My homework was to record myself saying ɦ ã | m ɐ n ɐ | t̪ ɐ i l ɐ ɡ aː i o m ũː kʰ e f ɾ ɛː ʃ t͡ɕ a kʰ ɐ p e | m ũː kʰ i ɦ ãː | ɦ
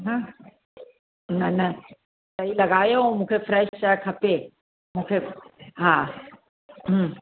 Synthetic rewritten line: ɦ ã | n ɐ n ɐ | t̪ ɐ i l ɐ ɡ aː j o m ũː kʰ e f ɾ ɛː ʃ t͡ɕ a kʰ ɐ p e | m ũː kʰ e ɦ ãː | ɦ